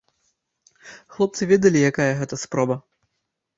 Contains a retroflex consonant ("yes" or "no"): no